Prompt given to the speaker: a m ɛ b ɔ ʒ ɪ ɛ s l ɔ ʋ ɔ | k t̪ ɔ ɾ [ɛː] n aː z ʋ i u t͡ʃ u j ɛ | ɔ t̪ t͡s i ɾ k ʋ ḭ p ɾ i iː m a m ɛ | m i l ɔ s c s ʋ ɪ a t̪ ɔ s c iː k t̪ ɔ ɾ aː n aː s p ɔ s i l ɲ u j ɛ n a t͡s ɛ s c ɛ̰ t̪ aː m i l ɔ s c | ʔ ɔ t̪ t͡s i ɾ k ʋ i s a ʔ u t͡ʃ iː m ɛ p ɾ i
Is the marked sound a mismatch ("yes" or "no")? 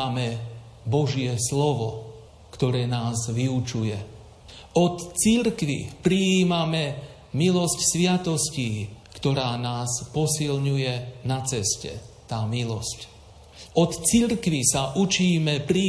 no